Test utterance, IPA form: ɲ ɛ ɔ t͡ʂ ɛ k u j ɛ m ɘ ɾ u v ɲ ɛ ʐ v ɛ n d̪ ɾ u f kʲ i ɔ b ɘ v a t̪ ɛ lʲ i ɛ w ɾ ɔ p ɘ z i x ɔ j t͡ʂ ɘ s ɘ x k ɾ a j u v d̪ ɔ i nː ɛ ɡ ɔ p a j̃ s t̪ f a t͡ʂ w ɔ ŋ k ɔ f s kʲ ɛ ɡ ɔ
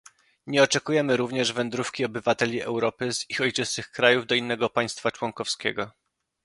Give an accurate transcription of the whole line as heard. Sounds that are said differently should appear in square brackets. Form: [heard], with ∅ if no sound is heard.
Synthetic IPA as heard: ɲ ɛ ɔ t͡ʂ ɛ k u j ɛ m ɘ ɾ u v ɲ ɛ ʐ v ɛ n d̪ ɾ u f kʲ i ɔ b ɘ v a t̪ ɛ lʲ i ɛ w ɾ ɔ p ɘ z i x ɔ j t͡ʂ ɘ s ɘ x k ɾ a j u v d̪ ɔ i nː ɛ ɡ ɔ p a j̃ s t̪ f a t͡ʂ w ɔ ŋ k ɔ f s kʲ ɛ ɡ ɔ